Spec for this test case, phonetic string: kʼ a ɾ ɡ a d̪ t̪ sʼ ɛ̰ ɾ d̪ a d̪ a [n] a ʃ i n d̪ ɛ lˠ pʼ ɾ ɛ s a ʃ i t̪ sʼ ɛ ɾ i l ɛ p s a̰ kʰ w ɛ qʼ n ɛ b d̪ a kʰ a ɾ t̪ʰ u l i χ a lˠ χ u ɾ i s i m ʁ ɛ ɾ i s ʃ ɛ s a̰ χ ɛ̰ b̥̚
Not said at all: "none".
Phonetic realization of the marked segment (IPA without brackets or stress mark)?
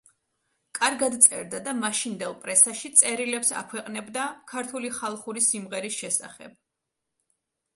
m